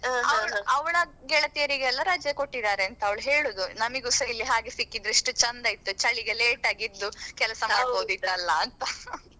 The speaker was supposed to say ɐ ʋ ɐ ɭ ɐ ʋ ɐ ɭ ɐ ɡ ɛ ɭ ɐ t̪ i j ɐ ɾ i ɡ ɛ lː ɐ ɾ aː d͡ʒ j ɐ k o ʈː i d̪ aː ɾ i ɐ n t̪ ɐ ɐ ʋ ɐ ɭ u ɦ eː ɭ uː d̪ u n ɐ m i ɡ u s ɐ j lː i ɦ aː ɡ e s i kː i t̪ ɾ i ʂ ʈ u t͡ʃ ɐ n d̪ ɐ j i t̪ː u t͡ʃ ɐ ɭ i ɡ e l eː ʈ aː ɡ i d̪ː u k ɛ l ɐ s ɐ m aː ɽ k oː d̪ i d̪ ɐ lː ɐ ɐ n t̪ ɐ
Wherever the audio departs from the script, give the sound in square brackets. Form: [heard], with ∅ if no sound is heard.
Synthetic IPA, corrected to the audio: ɐ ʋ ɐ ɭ ɐ ʋ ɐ ɭ ɐ ɡ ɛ ɭ ɐ t̪ i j ɐ ɾ i ɡ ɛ lː ɐ ɾ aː d͡ʒ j ɐ k o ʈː i d̪ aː ɾ [e] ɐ n t̪ ɐ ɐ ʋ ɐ ɭ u ɦ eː ɭ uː d̪ u n ɐ m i ɡ u s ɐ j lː i ɦ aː ɡ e s i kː i [d̪] ɾ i ʂ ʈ u t͡ʃ ɐ n d̪ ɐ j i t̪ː u t͡ʃ ɐ ɭ i ɡ e l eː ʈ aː ɡ i d̪ː u k ɛ l ɐ s ɐ m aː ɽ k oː d̪ i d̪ ɐ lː ɐ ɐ n t̪ ɐ